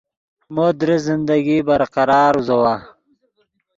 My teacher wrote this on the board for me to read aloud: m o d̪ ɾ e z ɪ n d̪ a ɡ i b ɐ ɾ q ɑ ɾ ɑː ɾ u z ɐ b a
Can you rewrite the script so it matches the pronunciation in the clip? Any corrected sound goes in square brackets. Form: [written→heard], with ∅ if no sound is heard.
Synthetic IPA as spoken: m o d̪ ɾ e z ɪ n d̪ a ɡ i b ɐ ɾ q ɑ ɾ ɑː ɾ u z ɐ [b→w] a